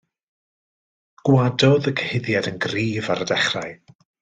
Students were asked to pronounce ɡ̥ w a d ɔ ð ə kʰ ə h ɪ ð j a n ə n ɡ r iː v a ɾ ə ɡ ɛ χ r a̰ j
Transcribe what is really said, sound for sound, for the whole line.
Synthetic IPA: ɡ̥ w a d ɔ ð ə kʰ ə h ɪ ð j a d ə n ɡ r iː v a ɾ ə d ɛ χ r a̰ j